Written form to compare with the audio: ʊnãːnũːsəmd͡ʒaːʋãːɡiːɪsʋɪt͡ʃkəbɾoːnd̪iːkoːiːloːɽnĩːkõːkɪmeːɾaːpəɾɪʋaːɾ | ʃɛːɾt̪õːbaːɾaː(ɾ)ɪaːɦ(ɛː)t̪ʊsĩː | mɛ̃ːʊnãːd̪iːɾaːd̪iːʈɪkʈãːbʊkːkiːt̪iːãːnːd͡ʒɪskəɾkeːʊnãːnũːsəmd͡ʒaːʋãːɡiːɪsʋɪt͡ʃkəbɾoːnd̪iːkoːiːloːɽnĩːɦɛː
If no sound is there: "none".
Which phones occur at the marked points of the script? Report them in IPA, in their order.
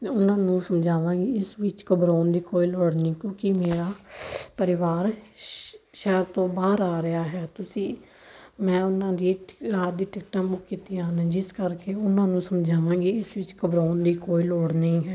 ɾ, ɛː

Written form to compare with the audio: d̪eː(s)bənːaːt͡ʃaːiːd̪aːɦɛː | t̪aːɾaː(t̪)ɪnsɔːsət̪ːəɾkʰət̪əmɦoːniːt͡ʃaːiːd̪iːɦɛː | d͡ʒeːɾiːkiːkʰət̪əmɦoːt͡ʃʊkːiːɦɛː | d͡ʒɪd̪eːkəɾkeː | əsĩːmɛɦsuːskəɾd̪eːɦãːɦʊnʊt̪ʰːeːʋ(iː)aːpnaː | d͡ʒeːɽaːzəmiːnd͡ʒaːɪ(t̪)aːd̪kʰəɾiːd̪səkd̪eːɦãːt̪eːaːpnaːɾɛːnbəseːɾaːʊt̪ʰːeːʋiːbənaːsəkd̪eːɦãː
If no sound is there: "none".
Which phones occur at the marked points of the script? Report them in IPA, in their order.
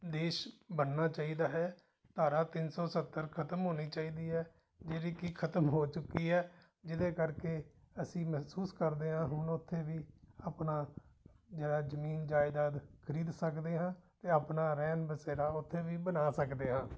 ʃ, t̪, iː, d̪

